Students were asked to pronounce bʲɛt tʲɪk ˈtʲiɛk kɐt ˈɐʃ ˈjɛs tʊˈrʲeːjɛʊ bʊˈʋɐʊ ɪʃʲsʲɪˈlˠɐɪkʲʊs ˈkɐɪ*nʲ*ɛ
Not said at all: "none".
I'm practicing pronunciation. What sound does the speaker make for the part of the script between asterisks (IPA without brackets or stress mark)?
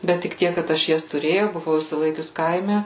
mʲ